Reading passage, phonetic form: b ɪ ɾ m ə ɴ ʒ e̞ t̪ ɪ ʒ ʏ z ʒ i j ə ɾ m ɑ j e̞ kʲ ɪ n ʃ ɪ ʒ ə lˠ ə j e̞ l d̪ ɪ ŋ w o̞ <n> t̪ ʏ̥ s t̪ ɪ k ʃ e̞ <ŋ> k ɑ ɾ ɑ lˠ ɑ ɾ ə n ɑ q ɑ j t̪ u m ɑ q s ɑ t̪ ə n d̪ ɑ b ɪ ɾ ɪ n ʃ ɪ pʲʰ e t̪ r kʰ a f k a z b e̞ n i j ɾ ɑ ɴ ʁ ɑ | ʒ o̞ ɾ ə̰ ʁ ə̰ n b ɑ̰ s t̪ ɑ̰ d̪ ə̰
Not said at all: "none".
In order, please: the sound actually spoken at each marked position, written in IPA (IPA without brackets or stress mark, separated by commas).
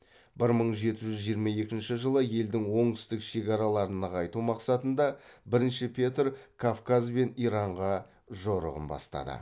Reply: ɴ, none